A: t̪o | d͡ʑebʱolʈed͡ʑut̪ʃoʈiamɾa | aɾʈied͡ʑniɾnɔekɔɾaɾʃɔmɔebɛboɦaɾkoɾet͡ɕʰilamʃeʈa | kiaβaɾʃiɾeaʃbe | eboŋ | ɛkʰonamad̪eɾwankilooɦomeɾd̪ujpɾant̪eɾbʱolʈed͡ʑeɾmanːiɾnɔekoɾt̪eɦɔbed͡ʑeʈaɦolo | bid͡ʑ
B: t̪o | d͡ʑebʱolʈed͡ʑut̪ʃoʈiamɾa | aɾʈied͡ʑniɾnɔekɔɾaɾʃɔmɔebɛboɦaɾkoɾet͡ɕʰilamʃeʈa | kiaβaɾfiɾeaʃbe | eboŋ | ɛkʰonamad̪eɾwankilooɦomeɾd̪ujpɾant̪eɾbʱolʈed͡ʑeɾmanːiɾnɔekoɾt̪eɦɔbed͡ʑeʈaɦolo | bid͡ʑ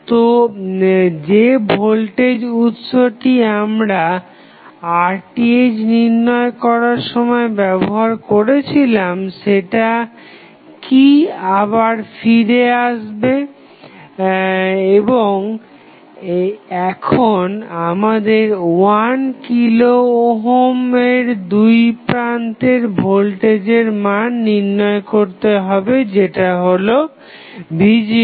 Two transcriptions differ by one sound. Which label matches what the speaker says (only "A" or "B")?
B